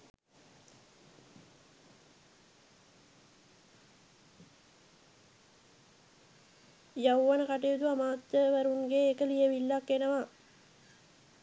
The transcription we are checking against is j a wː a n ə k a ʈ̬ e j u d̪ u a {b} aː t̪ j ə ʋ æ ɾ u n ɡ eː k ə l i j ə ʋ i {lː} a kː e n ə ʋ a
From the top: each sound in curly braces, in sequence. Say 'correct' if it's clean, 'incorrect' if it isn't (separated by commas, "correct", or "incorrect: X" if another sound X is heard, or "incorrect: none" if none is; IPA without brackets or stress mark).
incorrect: m, correct